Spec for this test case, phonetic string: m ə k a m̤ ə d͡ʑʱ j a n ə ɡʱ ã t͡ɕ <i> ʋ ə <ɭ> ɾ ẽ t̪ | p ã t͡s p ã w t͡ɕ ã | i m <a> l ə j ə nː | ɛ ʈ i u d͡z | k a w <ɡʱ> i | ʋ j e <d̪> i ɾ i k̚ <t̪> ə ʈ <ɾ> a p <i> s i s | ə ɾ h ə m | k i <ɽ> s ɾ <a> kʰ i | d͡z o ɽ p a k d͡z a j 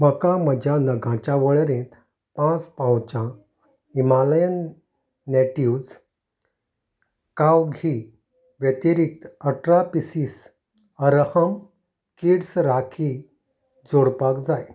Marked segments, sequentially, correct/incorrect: incorrect: a, correct, correct, correct, incorrect: t̪, correct, correct, correct, correct, correct

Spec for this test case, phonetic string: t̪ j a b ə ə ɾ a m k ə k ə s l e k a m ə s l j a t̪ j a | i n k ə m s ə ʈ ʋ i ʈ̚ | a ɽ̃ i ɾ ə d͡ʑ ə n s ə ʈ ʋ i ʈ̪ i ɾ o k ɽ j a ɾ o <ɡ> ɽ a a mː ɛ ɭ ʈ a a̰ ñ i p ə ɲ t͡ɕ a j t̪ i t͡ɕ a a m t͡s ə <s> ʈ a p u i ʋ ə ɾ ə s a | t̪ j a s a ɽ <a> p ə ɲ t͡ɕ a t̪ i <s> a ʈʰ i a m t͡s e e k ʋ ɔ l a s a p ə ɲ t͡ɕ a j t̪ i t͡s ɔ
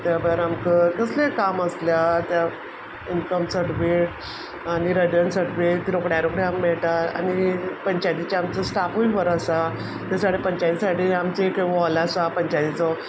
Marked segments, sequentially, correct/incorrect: incorrect: k, correct, incorrect: e, correct

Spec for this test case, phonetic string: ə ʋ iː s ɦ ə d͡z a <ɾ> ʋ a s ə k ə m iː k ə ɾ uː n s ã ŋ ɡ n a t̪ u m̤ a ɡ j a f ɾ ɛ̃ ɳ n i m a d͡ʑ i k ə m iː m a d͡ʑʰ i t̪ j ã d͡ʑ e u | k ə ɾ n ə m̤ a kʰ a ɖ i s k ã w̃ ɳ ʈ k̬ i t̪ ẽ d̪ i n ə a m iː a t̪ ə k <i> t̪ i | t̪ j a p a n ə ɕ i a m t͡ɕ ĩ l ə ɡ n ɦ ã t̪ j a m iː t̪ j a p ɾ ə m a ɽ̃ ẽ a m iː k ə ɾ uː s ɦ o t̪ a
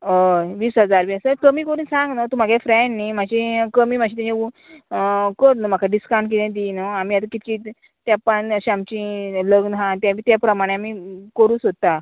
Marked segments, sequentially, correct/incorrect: correct, correct

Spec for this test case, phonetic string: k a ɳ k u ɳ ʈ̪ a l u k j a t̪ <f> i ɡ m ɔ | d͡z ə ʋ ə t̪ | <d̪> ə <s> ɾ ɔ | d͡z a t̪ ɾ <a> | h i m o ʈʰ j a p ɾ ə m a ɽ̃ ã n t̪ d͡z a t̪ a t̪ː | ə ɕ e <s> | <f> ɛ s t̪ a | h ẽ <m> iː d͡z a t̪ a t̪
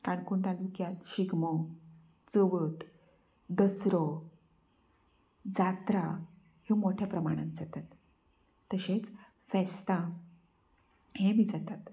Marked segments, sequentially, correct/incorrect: incorrect: ɕ, correct, correct, correct, incorrect: t͡s, correct, correct

